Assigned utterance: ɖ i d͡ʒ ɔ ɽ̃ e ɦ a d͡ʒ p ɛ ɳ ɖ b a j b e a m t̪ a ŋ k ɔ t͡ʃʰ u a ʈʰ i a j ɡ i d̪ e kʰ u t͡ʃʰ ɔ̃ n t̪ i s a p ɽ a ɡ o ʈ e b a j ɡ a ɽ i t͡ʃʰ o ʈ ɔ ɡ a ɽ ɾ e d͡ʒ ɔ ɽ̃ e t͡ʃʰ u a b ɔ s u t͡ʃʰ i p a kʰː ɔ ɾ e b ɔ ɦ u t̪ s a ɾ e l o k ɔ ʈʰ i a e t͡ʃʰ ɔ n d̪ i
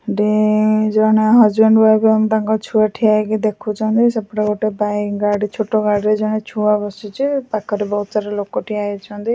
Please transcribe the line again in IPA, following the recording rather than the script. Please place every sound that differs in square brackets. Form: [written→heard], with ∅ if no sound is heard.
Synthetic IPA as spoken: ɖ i d͡ʒ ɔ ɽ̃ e ɦ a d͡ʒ [p→b] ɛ ɳ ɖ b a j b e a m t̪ a ŋ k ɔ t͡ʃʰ u a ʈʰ i a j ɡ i d̪ e kʰ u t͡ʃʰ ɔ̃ n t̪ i s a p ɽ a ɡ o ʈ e b a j ɡ a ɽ i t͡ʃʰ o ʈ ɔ ɡ a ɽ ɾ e d͡ʒ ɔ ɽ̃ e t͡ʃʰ u a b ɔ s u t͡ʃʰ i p a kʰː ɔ ɾ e b ɔ ɦ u t̪ s a ɾ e l o k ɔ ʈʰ i a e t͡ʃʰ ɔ n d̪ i